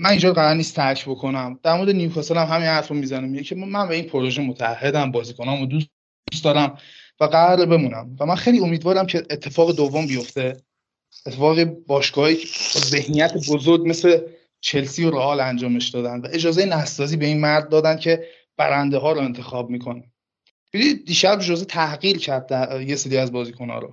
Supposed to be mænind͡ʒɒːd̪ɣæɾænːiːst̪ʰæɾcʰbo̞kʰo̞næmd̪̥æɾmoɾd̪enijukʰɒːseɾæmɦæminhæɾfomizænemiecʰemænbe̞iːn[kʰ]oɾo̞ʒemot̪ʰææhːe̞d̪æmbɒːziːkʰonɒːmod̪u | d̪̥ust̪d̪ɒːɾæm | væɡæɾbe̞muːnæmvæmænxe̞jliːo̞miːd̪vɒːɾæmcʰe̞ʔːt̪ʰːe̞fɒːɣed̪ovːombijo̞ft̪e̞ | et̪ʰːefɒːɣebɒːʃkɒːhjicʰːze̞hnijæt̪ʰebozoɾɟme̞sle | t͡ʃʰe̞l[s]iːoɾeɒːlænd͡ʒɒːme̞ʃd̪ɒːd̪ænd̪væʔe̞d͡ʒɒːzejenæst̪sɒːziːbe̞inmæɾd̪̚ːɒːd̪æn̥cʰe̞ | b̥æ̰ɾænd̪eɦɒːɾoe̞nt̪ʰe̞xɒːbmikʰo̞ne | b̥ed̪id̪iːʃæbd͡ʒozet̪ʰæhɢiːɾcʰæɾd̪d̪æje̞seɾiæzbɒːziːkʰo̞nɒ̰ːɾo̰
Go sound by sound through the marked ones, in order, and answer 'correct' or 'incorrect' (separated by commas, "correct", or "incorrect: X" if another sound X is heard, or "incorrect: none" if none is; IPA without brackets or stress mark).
incorrect: pʰ, correct